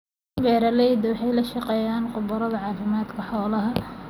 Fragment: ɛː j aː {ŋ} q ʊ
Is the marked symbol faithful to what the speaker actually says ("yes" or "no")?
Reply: no